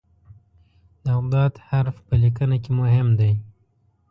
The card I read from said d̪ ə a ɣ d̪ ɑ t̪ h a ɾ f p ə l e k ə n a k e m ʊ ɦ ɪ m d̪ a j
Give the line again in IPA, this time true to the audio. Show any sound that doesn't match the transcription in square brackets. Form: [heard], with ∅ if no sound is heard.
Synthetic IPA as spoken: d̪ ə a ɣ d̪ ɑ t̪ h a ɾ f p ə l [i] k ə n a k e m ʊ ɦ ɪ m d̪ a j

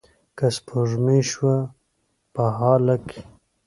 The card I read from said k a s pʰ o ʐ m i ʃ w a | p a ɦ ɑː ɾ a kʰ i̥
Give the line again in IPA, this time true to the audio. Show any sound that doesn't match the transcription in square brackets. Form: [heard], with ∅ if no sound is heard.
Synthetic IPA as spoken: k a s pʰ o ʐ m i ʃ w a | p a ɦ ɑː [l] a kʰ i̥

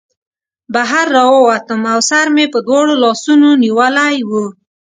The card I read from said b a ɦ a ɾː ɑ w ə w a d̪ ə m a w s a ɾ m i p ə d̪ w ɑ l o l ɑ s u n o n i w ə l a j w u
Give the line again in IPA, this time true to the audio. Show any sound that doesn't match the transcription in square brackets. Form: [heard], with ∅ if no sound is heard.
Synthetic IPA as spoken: b a ɦ a ɾː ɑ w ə w a [t̪] ə m a w s a ɾ m [e] p ə d̪ w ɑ [ɽ] o l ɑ s u n o n i w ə l a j w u

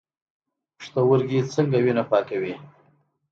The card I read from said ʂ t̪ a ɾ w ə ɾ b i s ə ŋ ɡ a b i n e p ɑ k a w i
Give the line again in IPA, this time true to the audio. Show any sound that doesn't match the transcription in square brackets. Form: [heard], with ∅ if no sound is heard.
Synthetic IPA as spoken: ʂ t̪ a [∅] w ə ɾ [ɡ] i [t͡s] ə ŋ ɡ a [w] i n [a] p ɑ k a w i

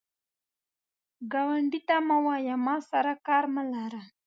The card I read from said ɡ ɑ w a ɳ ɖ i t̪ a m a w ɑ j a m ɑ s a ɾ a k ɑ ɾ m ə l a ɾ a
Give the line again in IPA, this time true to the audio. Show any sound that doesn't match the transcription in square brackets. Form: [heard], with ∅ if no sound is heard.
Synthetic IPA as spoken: ɡ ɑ w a ɳ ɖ i t̪ a m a w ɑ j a m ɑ s a ɾ a k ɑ ɾ m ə l a ɾ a

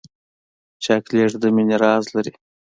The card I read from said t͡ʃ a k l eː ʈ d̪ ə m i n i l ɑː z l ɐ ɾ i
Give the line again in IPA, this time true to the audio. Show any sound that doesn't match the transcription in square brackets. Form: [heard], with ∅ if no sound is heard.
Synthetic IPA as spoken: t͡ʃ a k l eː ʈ d̪ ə m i n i [ɾ] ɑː z l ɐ ɾ i

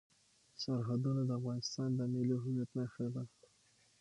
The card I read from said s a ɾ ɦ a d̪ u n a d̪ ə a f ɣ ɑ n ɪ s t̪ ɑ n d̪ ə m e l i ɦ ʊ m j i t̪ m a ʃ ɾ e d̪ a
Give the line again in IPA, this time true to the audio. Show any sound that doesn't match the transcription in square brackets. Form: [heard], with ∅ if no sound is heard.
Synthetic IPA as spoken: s a ɾ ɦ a d̪ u n a d̪ ə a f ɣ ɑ n ɪ s t̪ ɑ n d̪ ə m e l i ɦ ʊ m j [a] t̪ [n] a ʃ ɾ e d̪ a

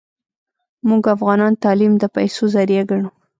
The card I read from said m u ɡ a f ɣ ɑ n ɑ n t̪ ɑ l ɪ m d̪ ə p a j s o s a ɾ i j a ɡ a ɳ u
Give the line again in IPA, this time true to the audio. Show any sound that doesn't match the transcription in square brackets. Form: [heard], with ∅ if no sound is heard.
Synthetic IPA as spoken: m u ɡ a f ɣ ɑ n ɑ n t̪ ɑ l [i] m d̪ ə p a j s o [z] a ɾ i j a ɡ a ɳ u

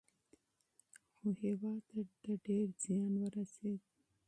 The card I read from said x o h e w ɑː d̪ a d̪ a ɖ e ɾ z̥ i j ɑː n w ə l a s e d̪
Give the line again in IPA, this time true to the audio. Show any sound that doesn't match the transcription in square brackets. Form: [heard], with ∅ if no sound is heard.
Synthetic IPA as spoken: x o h e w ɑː [t̪] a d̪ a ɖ e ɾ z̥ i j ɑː n w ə [ɾ] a s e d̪

